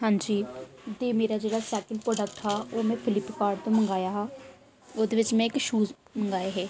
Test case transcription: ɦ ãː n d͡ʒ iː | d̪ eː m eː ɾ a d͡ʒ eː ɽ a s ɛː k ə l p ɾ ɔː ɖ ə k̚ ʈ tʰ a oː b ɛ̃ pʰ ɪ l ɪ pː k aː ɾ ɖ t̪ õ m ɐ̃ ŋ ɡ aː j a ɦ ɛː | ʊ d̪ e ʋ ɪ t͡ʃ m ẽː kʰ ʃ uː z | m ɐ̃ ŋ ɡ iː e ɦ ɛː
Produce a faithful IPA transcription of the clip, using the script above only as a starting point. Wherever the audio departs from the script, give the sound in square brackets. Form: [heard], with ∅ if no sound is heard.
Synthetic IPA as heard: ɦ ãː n d͡ʒ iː | d̪ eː m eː ɾ a d͡ʒ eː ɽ a s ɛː k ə l p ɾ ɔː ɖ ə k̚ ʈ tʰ a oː [m] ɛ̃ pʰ ɪ l ɪ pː k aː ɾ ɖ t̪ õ m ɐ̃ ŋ ɡ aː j a ɦ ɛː | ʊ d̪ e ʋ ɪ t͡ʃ m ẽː [k] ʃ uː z | m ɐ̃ ŋ ɡ [aː] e ɦ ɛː

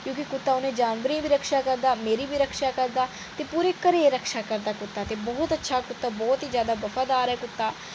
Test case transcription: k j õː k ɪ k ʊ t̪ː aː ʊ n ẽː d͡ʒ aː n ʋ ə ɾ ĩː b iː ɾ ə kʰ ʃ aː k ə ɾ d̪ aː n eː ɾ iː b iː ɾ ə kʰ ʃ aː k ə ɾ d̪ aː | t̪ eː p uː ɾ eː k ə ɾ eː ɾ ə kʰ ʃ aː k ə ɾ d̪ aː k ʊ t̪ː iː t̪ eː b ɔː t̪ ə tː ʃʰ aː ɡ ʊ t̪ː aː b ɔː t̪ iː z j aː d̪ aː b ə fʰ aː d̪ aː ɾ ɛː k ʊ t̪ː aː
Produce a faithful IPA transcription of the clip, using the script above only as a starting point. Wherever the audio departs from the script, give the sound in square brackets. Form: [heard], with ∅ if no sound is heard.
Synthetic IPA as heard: k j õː k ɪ k ʊ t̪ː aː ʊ n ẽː d͡ʒ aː n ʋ ə ɾ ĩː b iː ɾ ə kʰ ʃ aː k ə ɾ d̪ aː [m] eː ɾ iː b iː ɾ ə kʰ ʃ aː k ə ɾ d̪ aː | t̪ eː p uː ɾ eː k ə ɾ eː ɾ ə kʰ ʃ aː k ə ɾ d̪ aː k ʊ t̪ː [aː] t̪ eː b ɔː t̪ ə tː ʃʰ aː [k] ʊ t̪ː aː b ɔː t̪ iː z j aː d̪ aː b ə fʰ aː d̪ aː ɾ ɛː k ʊ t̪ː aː

